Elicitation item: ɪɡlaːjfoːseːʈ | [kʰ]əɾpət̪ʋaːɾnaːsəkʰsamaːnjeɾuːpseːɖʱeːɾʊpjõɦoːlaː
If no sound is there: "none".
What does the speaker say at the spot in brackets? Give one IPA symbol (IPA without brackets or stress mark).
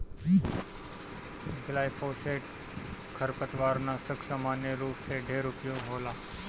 kʰ